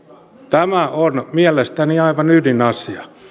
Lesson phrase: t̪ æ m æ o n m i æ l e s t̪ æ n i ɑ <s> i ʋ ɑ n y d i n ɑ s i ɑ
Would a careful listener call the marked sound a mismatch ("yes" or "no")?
yes